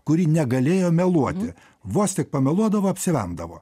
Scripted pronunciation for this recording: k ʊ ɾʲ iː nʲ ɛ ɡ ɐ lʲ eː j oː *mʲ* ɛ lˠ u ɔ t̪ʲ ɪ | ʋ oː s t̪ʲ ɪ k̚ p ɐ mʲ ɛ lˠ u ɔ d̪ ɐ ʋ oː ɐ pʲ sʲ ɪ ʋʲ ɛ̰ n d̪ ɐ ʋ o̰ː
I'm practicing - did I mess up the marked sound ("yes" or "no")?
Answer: no